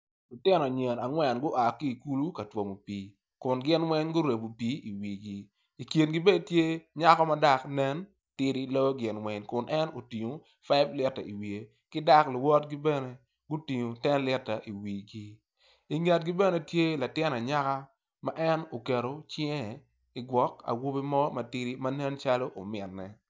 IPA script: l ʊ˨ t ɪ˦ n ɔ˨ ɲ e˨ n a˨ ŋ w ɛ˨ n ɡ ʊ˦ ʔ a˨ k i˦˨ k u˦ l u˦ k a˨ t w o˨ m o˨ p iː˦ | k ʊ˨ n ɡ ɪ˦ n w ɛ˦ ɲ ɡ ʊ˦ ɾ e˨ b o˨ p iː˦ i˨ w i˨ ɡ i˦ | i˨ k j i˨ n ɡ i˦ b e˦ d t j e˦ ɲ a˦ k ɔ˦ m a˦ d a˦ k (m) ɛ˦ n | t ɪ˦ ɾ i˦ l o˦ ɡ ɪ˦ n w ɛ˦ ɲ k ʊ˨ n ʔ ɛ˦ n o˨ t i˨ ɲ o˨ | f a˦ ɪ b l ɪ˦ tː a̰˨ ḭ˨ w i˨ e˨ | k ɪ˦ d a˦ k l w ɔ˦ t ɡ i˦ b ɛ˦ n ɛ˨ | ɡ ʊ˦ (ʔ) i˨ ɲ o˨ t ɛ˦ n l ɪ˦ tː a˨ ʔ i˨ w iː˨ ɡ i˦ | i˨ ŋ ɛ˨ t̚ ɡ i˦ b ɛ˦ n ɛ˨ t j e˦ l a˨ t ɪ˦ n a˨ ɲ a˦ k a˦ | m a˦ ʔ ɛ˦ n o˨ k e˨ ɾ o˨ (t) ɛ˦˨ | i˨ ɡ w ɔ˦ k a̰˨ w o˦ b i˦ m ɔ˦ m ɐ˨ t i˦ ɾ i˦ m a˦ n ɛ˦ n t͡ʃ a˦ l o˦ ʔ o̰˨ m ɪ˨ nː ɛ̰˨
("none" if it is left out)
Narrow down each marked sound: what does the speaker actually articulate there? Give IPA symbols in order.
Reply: n, t, t͡ʃ

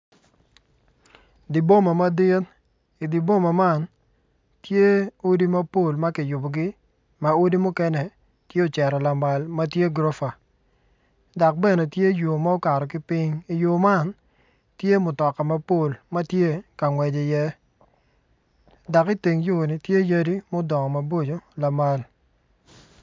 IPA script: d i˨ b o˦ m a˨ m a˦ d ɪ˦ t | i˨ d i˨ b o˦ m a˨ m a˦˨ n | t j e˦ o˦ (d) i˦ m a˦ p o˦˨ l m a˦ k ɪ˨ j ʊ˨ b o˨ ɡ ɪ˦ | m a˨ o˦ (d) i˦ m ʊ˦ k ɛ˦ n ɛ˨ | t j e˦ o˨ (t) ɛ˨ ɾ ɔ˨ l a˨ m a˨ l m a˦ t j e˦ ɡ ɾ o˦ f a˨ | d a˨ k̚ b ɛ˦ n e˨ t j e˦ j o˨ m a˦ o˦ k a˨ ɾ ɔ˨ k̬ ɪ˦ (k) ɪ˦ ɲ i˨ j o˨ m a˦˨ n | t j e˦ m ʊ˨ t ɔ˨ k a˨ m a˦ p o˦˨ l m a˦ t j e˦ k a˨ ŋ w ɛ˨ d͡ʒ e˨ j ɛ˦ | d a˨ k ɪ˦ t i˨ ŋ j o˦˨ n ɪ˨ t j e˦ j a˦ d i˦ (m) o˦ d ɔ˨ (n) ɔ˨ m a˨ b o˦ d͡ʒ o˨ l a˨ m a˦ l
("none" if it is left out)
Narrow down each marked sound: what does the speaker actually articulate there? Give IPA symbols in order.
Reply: d, d, t͡ʃ, p, m, ŋ

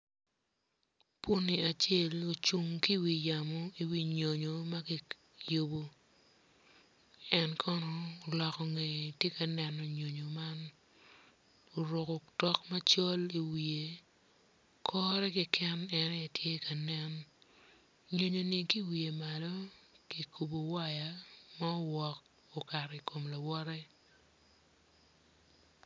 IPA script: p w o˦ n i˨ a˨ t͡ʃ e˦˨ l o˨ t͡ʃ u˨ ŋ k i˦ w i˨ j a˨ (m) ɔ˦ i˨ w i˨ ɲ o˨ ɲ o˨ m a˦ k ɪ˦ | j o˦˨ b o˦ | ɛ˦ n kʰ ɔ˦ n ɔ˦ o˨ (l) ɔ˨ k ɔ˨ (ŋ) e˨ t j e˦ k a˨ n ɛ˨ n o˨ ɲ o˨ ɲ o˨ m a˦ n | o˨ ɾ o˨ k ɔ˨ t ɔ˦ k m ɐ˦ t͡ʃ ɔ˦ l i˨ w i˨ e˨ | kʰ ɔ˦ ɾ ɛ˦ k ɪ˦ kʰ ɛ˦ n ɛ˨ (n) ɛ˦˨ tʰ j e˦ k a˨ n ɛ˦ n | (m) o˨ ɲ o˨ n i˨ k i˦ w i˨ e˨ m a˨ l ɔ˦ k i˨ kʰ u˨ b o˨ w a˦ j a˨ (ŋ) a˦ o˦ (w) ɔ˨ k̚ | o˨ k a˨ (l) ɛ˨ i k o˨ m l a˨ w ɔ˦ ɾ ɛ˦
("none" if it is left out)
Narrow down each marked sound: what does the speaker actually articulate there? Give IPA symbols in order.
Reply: m, l, ŋ, n, ɲ, m, w, ɾ

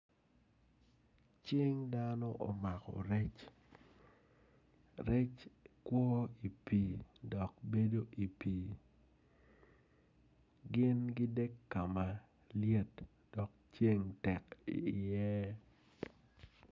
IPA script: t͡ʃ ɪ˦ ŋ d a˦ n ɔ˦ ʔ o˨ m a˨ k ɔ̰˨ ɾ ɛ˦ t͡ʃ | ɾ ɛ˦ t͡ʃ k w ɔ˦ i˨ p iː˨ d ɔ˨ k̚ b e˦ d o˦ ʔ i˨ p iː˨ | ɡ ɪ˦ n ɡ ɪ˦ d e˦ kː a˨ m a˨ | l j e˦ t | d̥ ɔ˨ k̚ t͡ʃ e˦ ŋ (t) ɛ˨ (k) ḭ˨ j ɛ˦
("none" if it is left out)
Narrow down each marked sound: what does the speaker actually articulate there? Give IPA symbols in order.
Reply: t, k

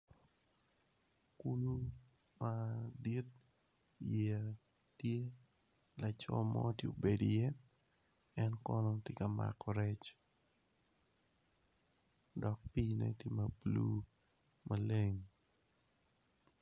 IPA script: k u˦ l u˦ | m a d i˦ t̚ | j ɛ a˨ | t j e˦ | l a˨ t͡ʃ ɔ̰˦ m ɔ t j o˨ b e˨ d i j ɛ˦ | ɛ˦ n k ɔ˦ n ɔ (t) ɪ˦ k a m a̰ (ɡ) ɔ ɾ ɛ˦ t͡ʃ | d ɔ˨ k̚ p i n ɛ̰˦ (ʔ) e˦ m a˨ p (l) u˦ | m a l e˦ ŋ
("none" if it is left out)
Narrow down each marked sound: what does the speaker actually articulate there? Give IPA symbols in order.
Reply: t, k, t, l

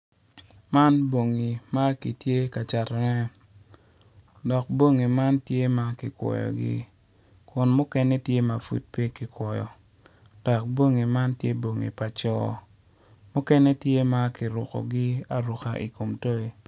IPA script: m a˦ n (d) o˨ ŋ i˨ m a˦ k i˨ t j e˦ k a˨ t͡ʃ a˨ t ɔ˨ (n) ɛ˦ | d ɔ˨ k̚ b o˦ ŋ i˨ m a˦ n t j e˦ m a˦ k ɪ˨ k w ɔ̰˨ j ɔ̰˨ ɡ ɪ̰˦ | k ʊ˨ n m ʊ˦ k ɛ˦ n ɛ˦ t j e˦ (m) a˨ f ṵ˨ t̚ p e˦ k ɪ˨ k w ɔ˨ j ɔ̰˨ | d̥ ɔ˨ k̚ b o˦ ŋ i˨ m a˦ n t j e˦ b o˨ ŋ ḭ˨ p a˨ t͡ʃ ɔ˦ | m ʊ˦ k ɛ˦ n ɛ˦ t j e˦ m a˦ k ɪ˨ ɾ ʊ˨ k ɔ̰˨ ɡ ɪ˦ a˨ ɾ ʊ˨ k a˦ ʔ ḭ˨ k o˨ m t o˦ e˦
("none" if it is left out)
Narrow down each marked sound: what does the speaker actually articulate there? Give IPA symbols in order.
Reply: b, n, m

